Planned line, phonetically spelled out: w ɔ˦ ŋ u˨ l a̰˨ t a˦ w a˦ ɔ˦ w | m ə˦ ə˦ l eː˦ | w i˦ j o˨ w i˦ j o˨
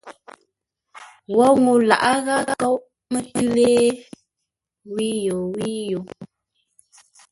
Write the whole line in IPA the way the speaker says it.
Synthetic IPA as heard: w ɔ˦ ŋ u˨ l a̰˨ ʔ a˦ ɣ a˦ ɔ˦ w | m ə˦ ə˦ l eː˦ | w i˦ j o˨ w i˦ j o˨